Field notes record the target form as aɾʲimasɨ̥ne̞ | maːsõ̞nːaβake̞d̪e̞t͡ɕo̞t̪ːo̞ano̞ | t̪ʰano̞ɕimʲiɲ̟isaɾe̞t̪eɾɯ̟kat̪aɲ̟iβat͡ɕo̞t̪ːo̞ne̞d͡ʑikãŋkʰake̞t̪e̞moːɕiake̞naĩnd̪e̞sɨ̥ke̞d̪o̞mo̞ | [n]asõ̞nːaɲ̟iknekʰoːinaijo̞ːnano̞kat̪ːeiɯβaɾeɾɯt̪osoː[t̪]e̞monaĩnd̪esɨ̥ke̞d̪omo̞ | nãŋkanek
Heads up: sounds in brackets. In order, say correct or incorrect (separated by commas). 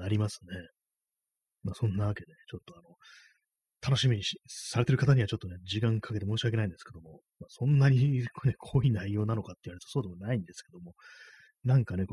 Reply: incorrect, incorrect